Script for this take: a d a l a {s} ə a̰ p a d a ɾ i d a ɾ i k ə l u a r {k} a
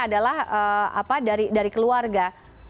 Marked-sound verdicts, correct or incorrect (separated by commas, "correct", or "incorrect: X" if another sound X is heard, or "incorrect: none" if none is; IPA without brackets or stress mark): incorrect: h, incorrect: ɡ